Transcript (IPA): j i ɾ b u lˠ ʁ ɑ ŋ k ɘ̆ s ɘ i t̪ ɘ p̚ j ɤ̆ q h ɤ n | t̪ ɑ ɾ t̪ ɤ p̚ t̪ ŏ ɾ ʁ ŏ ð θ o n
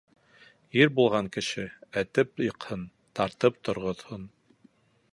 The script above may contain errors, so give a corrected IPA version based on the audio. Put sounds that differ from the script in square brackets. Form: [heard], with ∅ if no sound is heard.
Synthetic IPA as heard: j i ɾ b u lˠ ʁ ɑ ŋ k ɘ̆ [ʃ] ɘ [æ] t̪ ɘ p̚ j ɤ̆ q h ɤ n | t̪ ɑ ɾ t̪ ɤ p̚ t̪ ŏ ɾ ʁ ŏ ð [h] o n